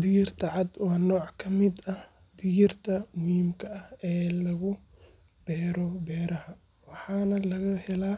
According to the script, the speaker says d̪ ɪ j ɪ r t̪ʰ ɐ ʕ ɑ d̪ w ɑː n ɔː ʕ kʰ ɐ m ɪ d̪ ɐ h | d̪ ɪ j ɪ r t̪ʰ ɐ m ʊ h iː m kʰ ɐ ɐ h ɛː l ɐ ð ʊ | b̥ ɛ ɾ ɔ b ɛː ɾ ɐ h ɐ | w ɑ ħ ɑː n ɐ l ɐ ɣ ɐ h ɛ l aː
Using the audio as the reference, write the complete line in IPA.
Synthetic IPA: d̪ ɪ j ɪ r t̪ʰ ɐ ʕ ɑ d̪ w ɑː n ɔː ʕ kʰ ɐ m ɪ d̪ ɐ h | d̪ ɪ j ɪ r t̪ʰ ɐ m ʊ h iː m kʰ ɐ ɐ h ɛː l ɐ ɣ ʊ | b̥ ɛː ɾ ɔ b ɛː ɾ ɐ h ɐ | w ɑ ħ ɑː n ɐ l ɐ ɣ ɐ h ɛ l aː